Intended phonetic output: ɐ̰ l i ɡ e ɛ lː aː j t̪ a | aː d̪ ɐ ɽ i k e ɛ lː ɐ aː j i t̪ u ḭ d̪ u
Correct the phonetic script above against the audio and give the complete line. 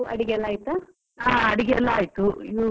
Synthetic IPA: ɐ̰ ɽ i ɡ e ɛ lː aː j t̪ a | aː ɐ ɽ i ɡ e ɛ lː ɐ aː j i t̪ u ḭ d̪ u